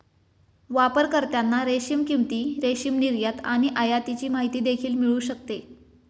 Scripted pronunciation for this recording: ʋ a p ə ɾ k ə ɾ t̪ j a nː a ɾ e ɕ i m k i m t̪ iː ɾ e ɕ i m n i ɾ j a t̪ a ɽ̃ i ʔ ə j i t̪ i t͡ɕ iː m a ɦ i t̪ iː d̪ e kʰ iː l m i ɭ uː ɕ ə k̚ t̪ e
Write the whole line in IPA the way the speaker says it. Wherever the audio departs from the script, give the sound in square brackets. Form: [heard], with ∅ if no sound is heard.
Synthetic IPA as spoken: ʋ a p ə ɾ k ə ɾ t̪ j a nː a ɾ e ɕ i m k i m t̪ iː ɾ e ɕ i m n i ɾ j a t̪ a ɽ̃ i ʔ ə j [a] t̪ i t͡ɕ iː m a ɦ i t̪ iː d̪ e kʰ iː l m i ɭ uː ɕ ə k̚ t̪ e